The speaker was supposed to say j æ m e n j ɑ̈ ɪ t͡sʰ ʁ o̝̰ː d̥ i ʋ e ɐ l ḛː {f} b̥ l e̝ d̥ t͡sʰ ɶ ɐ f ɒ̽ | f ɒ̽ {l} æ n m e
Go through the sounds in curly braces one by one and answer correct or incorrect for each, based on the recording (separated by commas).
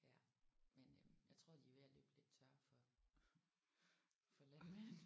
incorrect, correct